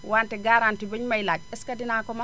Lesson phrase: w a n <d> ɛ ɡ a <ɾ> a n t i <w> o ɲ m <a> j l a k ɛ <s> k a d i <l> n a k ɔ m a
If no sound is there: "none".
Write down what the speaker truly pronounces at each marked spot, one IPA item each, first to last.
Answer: t, ɾ, b, a, s, none

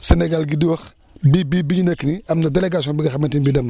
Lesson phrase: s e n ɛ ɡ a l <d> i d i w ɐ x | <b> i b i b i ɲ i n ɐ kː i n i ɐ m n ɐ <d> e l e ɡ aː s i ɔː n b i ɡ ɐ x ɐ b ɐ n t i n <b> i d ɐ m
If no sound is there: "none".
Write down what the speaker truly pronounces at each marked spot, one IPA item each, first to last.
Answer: ɡ, b, d, b

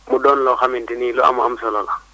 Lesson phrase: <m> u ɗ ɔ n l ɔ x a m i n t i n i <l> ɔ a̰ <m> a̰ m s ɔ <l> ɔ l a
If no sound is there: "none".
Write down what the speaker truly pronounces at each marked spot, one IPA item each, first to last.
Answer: m, l, m, l

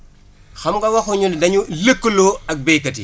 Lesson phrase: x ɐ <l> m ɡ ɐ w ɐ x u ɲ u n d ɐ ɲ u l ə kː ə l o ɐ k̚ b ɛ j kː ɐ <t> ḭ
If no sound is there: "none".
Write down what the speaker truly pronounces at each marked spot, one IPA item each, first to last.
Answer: none, t

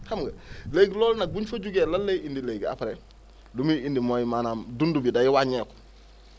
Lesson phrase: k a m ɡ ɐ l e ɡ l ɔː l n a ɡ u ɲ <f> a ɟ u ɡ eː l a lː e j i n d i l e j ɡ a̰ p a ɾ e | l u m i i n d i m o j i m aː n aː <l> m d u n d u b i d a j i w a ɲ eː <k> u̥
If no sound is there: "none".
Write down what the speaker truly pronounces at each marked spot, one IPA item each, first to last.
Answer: f, none, k

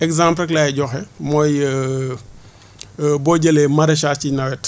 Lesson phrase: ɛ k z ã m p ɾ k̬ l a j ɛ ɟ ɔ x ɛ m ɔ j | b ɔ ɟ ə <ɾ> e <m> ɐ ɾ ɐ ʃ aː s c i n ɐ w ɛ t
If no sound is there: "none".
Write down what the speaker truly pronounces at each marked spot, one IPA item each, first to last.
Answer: l, m

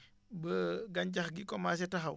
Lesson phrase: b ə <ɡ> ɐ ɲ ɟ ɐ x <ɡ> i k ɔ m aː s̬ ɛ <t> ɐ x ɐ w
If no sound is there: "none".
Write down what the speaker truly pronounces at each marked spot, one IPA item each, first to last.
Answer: ɡ, ɡ, t

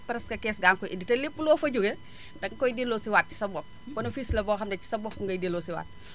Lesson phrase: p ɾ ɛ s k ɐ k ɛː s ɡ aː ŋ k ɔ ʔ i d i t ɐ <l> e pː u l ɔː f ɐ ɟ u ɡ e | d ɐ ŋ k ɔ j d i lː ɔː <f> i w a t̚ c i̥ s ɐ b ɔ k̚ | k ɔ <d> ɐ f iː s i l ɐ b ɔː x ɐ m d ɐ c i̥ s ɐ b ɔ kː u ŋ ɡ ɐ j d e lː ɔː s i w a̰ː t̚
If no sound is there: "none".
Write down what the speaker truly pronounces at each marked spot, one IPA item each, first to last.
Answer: l, s, n

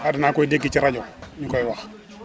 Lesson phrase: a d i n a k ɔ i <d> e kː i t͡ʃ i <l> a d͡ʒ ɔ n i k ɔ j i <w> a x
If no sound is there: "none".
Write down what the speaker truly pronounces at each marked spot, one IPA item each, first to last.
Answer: d, ɾ, w

